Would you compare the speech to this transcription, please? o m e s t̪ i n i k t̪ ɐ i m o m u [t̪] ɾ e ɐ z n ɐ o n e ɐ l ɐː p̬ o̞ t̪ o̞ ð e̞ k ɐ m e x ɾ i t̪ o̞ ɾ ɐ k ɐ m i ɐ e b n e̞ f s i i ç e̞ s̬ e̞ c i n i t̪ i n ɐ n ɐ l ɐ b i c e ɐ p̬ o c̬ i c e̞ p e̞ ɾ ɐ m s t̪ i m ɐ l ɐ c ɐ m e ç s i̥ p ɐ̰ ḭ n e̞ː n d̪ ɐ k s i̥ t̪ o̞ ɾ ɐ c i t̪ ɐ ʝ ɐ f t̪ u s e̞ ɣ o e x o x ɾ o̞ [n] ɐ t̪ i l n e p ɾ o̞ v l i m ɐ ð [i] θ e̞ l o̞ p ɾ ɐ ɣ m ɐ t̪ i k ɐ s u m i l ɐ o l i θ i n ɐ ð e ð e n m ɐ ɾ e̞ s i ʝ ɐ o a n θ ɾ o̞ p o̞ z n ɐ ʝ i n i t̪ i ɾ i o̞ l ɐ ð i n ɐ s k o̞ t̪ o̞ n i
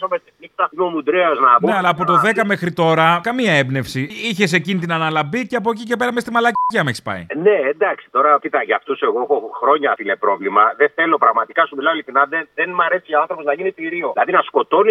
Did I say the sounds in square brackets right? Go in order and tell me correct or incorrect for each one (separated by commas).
incorrect, incorrect, incorrect